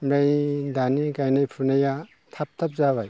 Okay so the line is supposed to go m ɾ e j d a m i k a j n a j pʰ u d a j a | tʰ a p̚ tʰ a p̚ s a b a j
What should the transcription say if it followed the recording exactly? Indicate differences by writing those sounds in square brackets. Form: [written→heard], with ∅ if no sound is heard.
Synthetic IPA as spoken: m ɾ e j d a [m→n] i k a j n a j pʰ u [d→n] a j a | tʰ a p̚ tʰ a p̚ [s→z] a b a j